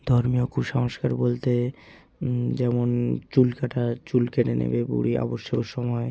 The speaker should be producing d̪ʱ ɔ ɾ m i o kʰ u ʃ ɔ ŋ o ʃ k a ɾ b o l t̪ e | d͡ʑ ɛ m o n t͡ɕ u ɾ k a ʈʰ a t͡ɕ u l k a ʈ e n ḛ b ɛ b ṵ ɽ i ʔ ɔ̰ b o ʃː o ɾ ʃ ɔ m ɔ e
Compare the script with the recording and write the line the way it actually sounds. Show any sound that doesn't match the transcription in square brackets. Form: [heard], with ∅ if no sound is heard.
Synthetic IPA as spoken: d̪ʱ ɔ ɾ m i o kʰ u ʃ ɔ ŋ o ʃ k a ɾ b o l t̪ e | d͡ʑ ɛ m o n t͡ɕ u [l] k a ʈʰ a t͡ɕ u l k [e] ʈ e n ḛ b [e] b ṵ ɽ i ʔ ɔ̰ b o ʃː o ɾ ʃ ɔ m ɔ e